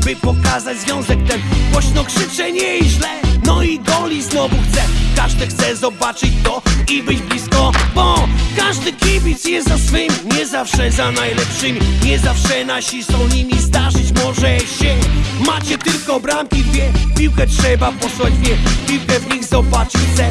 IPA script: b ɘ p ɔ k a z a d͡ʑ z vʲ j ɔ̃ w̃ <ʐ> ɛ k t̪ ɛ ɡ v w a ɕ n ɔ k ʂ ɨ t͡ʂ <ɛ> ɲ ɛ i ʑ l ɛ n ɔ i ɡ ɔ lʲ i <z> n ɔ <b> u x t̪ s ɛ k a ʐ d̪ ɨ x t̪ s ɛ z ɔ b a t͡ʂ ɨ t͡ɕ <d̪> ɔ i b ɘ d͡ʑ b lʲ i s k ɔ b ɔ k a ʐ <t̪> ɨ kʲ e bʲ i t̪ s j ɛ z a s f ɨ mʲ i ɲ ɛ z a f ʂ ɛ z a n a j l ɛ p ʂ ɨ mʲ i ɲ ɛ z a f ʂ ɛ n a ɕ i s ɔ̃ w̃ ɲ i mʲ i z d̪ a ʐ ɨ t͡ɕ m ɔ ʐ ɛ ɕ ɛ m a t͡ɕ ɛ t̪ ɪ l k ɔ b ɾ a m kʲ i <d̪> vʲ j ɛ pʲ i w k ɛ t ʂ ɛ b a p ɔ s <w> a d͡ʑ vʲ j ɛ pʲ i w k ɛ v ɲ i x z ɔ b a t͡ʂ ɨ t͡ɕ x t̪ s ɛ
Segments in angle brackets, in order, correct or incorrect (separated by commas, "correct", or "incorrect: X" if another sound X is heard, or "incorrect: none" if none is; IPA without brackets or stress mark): incorrect: z, correct, correct, incorrect: v, incorrect: t̪, incorrect: d̪, correct, correct